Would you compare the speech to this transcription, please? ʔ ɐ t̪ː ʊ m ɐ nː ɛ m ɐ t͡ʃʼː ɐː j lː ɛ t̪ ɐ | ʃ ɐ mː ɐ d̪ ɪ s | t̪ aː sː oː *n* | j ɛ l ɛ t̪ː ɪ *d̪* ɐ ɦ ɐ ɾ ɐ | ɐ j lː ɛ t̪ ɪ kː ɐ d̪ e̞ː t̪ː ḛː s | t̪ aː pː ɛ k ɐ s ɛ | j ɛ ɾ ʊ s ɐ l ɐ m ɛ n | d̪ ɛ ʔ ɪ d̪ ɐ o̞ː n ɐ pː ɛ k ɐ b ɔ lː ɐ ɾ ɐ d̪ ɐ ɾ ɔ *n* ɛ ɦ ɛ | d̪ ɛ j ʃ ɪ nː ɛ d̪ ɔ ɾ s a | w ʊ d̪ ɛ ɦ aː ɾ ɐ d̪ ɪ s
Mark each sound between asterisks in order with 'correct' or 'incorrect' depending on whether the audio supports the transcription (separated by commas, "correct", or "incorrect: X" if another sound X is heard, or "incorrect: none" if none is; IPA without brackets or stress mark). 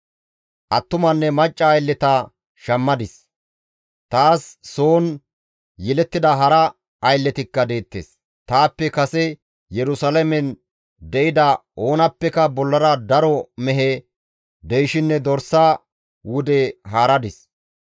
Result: correct, correct, incorrect: m